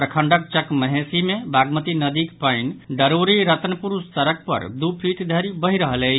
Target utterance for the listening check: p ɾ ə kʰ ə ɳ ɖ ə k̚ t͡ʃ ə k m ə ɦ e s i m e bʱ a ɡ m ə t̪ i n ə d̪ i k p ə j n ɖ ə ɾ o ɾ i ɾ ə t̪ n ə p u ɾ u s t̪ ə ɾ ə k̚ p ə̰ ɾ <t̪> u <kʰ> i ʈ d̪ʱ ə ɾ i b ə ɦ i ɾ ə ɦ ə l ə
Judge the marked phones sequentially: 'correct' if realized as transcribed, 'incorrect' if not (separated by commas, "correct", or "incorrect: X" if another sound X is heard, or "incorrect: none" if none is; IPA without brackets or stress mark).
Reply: incorrect: d̪, incorrect: pʰ